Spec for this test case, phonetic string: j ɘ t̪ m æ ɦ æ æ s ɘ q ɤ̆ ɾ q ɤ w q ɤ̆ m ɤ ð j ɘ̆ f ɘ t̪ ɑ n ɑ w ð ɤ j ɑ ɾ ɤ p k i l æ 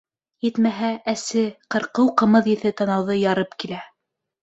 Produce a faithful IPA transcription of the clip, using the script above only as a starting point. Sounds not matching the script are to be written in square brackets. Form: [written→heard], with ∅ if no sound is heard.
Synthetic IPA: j ɘ t̪ m æ ɦ æ æ s ɘ q ɤ̆ ɾ q ɤ w q ɤ̆ m ɤ ð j ɘ̆ [f→θ] ɘ t̪ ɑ n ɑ w ð ɤ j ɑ ɾ ɤ p k i l æ

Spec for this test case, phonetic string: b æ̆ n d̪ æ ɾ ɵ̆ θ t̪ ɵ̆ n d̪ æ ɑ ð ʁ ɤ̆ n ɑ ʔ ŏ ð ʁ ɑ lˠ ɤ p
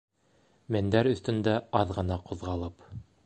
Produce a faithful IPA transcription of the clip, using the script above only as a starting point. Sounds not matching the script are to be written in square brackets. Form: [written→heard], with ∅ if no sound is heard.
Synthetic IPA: [b→m] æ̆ n d̪ æ ɾ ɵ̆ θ t̪ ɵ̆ n d̪ æ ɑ ð ʁ ɤ̆ n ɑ [ʔ→q] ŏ ð ʁ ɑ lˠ ɤ p

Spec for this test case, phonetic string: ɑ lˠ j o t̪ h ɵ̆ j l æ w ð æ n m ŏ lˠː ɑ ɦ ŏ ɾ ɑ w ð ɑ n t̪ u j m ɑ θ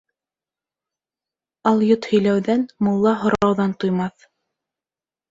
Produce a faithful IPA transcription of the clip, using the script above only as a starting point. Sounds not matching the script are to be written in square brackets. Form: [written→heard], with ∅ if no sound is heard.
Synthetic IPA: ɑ lˠ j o t̪ h ɵ̆ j l æ w ð æ n m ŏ lˠː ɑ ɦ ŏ ɾ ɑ w ð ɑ n t̪ u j m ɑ θ

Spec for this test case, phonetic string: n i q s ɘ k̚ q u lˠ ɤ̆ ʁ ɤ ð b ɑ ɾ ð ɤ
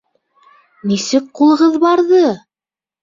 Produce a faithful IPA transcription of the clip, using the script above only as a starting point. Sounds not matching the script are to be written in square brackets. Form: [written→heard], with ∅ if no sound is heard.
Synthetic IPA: n i [q→∅] s ɘ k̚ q u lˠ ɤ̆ ʁ ɤ ð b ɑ ɾ ð ɤ

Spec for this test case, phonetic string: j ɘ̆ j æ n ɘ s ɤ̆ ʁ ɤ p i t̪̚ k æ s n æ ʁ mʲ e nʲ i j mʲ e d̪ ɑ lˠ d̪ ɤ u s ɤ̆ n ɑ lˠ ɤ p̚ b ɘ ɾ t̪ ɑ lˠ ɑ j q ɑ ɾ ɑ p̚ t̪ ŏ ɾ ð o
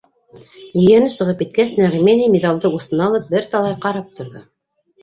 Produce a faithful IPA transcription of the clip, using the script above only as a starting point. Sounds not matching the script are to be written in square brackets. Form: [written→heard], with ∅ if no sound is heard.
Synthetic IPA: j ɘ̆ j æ n ɘ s ɤ̆ ʁ ɤ p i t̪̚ k æ s n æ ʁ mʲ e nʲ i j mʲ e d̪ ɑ lˠ d̪ ɤ u s ɤ̆ n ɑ lˠ ɤ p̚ b ɘ ɾ t̪ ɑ lˠ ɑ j q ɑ ɾ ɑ p̚ t̪ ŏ ɾ ð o

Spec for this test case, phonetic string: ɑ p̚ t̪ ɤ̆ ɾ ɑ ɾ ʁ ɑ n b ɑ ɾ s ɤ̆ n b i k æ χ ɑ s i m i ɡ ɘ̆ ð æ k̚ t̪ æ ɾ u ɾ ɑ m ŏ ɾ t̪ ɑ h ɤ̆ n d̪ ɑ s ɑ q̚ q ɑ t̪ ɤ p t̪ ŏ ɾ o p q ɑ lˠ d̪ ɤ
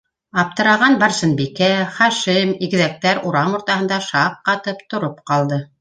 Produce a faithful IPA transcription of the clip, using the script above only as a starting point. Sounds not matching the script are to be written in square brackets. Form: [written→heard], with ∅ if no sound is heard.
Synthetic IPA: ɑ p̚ t̪ ɤ̆ ɾ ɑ [ɾ→∅] ʁ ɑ n b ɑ ɾ s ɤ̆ n b i k æ χ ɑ [s→ʃ] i m i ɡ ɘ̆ ð æ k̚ t̪ æ ɾ u ɾ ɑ m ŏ ɾ t̪ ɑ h ɤ̆ n d̪ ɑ [s→ʃ] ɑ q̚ q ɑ t̪ ɤ p t̪ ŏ ɾ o p q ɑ lˠ d̪ ɤ

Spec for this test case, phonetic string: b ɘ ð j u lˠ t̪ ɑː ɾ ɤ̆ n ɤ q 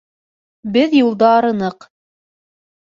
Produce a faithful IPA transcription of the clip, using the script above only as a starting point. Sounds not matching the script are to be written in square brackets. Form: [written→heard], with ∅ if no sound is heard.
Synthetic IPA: b ɘ ð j u lˠ [t̪→d̪] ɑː ɾ ɤ̆ n ɤ q

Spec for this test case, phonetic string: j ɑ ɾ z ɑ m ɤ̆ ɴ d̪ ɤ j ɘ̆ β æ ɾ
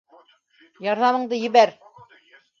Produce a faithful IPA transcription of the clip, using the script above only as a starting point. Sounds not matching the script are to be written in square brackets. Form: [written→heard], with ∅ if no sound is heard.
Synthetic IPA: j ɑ ɾ [z→ð] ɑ m ɤ̆ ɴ d̪ ɤ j ɘ̆ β æ ɾ

